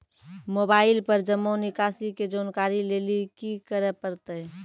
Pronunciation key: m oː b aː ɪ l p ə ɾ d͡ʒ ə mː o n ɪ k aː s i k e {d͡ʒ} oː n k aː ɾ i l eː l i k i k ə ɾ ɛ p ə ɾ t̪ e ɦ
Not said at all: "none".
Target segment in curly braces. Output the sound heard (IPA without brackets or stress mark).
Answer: d͡ʒ